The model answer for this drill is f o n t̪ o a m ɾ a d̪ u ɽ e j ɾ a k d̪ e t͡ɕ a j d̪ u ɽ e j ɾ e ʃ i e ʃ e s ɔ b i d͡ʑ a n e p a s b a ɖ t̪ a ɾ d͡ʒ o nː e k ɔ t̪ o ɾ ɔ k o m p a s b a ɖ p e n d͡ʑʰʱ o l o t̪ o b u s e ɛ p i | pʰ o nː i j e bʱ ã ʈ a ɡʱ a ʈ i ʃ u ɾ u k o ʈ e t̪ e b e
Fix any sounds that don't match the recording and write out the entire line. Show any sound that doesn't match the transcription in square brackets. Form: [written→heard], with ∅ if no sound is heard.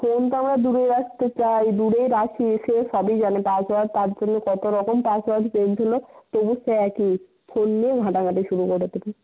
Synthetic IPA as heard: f o n t̪ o a m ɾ a d̪ u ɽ e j ɾ a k [d̪→t̪] e t͡ɕ a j d̪ u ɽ e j ɾ [e→a] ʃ i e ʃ e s ɔ b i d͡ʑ a n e p a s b a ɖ t̪ a ɾ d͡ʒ o nː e k ɔ t̪ o ɾ ɔ k o m p a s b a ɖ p e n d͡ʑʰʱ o l o t̪ o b u s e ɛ [p→k] i | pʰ o nː i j e [bʱ→ɡʱ] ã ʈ a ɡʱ a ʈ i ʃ u ɾ u k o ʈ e t̪ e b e

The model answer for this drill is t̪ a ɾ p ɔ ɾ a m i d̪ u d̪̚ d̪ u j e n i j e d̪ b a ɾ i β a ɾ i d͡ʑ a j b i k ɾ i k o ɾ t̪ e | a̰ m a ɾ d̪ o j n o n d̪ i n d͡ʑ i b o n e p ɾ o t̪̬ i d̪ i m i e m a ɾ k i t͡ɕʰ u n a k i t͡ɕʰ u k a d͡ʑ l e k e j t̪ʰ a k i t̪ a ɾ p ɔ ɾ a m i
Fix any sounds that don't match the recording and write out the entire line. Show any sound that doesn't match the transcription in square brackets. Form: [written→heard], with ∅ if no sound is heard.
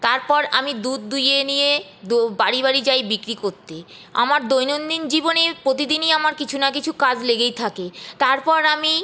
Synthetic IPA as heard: t̪ a ɾ p ɔ ɾ a m i d̪ u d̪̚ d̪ u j e n i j e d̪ b a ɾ i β a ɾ i d͡ʑ a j b i k ɾ i k o ɾ t̪ e | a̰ m a ɾ d̪ o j n o n d̪ i n d͡ʑ i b o n e p ɾ o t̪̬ i d̪ i [m→n] i [e→a] m a ɾ k i t͡ɕʰ u n a k i t͡ɕʰ u k a d͡ʑ l e [k→ɡ] e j t̪ʰ a k [i→e] t̪ a ɾ p ɔ ɾ a m i

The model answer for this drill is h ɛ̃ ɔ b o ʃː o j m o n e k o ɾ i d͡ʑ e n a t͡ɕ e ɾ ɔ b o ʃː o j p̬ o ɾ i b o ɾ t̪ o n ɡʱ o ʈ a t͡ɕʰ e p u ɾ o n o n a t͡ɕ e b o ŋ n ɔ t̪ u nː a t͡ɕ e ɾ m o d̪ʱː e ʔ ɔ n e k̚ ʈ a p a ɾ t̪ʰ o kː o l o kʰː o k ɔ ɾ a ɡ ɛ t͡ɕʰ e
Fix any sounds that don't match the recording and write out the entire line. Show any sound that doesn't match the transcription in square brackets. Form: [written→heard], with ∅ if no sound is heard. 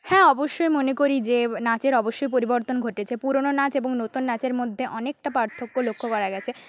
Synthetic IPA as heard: h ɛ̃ ɔ b o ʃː o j m o n e k o ɾ i d͡ʑ e n a t͡ɕ e ɾ ɔ b o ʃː o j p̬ o ɾ i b o ɾ t̪ o n ɡʱ o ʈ [a→e] t͡ɕʰ e p u ɾ o n o n a t͡ɕ e b o ŋ n [ɔ→o] t̪ u nː a t͡ɕ e ɾ m o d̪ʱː e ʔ ɔ n e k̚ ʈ a p a ɾ t̪ʰ o kː o l o kʰː o k ɔ ɾ a ɡ ɛ t͡ɕʰ e

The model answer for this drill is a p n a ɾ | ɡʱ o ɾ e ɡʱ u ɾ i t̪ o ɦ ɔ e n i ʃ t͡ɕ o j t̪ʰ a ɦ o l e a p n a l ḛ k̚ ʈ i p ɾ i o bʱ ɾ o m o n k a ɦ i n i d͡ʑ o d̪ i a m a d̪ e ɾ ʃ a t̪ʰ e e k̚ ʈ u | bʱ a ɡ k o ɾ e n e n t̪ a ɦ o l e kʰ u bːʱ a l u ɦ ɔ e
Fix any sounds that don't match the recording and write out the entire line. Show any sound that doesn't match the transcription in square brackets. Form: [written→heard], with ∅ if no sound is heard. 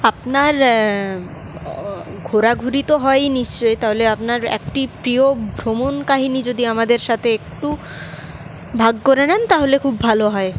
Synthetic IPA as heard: a p n a ɾ | ɡʱ o ɾ [e→a] ɡʱ u ɾ i t̪ o ɦ ɔ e n i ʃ t͡ɕ o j [t̪ʰ→t̪] a ɦ o l e a p n a [l→ɾ] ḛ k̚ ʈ i p ɾ i o bʱ ɾ o m o n k a ɦ i n i d͡ʑ o d̪ i a m a d̪ e ɾ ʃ a t̪ʰ e e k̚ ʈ u | bʱ a ɡ k o ɾ e n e n t̪ a ɦ o l e kʰ u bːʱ a l [u→o] ɦ ɔ e

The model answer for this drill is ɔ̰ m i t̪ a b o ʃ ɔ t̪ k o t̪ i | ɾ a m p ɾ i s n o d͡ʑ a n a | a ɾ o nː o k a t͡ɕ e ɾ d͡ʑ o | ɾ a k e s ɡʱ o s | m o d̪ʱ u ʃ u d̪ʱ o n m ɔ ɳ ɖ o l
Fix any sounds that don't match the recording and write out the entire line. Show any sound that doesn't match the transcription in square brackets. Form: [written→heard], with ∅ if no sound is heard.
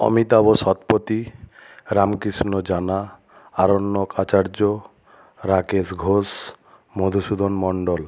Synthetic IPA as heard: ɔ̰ m i t̪ a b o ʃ ɔ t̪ [k→p] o t̪ i | ɾ a m [p→k] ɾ i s n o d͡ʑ a n a | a ɾ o nː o k a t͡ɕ [e→a] ɾ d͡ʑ o | ɾ a k e s ɡʱ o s | m o d̪ʱ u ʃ u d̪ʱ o n m ɔ ɳ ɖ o l

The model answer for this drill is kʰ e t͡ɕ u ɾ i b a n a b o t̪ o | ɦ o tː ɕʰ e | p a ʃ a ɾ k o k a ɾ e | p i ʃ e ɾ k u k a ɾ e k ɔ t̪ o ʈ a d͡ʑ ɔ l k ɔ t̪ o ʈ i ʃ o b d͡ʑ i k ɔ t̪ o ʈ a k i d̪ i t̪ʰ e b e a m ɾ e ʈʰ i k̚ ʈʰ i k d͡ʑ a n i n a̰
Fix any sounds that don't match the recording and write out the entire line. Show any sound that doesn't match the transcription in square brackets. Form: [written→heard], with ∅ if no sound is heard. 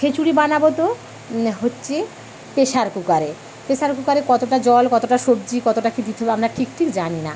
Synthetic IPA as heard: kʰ e t͡ɕ u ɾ i b a n a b o t̪ o | ɦ o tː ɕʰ e | p [a→e] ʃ a ɾ k [o→u] k a ɾ e | p [i→e] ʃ [e→a] ɾ k u k a ɾ e k ɔ t̪ o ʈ a d͡ʑ ɔ l k ɔ t̪ o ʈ [i→a] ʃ o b d͡ʑ i k ɔ t̪ o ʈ a k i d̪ i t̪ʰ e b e a m ɾ [e→a] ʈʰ i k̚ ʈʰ i k d͡ʑ a n i n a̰

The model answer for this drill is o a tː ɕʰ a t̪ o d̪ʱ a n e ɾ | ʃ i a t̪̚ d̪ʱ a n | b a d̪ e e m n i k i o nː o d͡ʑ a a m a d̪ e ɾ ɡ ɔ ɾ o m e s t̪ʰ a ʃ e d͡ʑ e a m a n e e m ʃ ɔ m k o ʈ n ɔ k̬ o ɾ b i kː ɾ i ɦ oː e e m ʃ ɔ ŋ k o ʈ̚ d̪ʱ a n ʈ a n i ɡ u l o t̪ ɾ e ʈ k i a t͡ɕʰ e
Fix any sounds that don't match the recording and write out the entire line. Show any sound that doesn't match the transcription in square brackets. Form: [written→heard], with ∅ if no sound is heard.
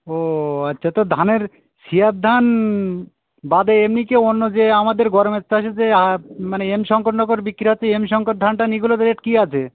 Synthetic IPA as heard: o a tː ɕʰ a t̪ o d̪ʱ a n e ɾ | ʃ i a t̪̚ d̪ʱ a n | b a d̪ e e m n i k [i→e] o nː o d͡ʑ [a→e] a m a d̪ e ɾ ɡ ɔ ɾ o m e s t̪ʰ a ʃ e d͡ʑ e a m a n e e m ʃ ɔ [m→ŋ] k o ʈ n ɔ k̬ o ɾ b i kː ɾ i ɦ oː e e m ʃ ɔ ŋ k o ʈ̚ d̪ʱ a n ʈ a n i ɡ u l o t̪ ɾ e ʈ k i a t͡ɕʰ e

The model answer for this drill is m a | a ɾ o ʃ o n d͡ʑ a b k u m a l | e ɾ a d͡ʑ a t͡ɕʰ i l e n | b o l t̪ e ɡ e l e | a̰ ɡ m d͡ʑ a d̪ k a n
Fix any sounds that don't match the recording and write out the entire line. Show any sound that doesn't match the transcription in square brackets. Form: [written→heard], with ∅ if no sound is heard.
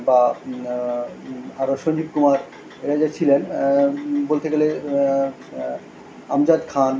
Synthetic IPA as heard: [m→b] a | a ɾ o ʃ o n d͡ʑ [a→i] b k u m a [l→ɾ] | e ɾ a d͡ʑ a t͡ɕʰ i l e n | b o l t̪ e ɡ e l e | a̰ [ɡ→∅] m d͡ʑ a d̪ [k→kʰ] a n

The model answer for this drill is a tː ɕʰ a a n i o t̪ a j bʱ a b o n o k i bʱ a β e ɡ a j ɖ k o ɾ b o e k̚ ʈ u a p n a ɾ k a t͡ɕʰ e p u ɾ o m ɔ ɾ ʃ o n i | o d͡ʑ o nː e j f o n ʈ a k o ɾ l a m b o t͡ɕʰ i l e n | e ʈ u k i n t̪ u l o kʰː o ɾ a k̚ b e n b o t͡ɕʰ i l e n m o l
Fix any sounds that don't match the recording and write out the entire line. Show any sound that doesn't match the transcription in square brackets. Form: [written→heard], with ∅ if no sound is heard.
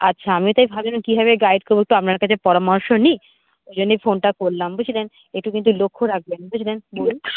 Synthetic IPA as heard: a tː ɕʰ a a [n→m] i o t̪ a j bʱ a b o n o k i bʱ a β e ɡ a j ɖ k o ɾ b o e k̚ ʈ u a p n a ɾ k a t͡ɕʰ e p [u→ɔ] ɾ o m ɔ ɾ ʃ o n i | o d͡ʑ o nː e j f o n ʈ a k o ɾ l a m b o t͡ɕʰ i l e n | e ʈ u k i n t̪ u l o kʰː o ɾ a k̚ b e n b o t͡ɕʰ i l e n [m→b] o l

